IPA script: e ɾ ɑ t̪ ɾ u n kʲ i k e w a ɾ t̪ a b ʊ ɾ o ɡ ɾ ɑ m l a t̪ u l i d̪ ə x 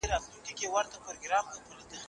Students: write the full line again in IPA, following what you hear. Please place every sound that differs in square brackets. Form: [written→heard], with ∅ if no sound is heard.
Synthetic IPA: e ɾ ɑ t̪ [ɾ→l] u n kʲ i k e w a ɾ t̪ a [b→p] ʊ ɾ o ɡ ɾ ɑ m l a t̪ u l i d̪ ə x